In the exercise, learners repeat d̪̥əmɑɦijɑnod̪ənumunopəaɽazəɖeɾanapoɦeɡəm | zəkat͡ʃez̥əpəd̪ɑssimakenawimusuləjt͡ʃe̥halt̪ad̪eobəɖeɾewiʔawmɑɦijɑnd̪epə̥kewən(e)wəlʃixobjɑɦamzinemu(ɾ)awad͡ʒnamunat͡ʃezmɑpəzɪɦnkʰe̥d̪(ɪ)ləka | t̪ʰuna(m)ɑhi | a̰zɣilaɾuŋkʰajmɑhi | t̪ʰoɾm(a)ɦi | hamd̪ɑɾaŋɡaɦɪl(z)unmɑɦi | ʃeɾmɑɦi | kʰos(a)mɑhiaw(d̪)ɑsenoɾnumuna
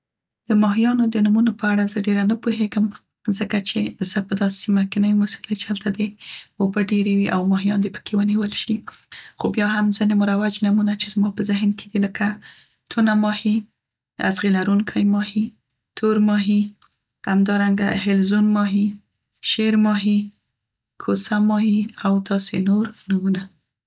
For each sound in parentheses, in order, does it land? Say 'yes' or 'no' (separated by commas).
no, yes, no, yes, no, yes, yes, no